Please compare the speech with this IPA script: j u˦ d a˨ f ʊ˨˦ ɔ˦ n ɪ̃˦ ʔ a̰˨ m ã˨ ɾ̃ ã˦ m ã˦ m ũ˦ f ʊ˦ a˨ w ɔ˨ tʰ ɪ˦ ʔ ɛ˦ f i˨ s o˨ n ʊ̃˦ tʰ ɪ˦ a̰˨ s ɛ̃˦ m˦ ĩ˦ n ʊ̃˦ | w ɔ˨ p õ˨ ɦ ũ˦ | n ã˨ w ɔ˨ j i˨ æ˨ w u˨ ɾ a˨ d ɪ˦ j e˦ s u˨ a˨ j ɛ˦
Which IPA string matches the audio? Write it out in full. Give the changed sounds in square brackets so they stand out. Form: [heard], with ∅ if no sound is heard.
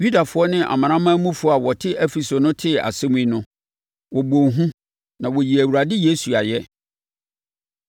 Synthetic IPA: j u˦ d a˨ f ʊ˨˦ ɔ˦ n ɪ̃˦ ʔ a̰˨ m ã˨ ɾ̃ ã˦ m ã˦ m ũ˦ f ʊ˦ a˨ w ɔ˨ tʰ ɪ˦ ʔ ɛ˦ f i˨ s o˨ n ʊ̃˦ tʰ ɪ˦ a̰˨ s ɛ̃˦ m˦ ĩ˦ n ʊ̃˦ | w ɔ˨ [b] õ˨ ɦ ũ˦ | n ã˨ w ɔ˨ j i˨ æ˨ w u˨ ɾ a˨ d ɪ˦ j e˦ s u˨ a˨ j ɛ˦